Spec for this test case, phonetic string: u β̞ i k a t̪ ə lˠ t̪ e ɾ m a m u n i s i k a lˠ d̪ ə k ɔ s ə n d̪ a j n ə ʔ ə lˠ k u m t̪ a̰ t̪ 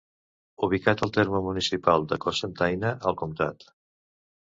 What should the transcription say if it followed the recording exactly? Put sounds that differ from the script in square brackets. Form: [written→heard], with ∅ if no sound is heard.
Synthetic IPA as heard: u β̞ i k a t̪ ə lˠ t̪ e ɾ m [a→ə] m u n i s i [k→p] a lˠ d̪ ə k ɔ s ə n [d̪→t̪] a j n ə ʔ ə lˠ k u m t̪ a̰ t̪